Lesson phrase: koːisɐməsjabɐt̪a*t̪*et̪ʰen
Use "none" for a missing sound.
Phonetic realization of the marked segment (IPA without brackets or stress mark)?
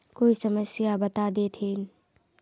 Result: d̪